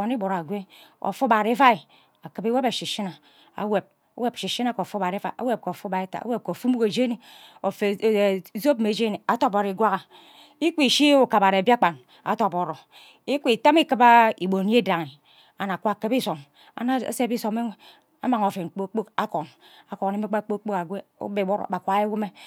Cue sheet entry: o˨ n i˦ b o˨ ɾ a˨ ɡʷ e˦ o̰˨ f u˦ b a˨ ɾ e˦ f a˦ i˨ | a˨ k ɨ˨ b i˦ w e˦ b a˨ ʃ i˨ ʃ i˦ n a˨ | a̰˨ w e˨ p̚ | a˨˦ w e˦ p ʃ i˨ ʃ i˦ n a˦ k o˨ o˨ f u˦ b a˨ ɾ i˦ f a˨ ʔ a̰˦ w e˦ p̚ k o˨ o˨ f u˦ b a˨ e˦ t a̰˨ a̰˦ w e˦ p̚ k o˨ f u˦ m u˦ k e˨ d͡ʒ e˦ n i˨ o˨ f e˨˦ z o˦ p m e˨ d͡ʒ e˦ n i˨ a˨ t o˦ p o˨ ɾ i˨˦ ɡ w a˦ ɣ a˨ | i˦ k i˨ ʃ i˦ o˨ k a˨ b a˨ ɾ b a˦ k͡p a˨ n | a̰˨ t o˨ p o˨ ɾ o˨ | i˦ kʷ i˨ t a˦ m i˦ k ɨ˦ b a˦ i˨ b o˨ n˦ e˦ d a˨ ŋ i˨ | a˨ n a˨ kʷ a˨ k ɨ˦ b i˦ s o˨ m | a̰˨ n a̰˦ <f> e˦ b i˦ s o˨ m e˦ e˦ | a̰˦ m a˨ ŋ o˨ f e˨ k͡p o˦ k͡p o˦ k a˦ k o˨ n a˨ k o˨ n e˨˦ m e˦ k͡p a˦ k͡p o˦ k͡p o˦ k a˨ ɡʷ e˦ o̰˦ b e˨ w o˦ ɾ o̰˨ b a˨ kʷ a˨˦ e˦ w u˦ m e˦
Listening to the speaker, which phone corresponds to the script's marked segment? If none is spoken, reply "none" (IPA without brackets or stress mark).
s